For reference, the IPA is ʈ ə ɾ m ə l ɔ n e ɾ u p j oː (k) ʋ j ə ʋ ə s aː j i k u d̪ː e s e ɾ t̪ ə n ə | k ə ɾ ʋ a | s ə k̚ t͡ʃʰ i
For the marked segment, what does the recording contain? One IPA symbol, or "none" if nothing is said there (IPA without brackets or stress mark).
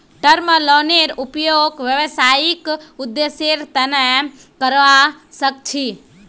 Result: ɡ